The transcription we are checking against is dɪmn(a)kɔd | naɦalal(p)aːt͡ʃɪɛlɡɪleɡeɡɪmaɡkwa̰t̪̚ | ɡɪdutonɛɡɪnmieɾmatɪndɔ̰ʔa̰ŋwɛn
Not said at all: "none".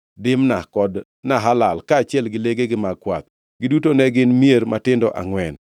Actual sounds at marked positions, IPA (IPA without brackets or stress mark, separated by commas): a, k